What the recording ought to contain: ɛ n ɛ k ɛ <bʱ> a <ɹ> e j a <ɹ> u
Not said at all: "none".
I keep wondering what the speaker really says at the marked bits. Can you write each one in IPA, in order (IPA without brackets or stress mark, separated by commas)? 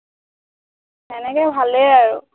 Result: bʱ, l, ɹ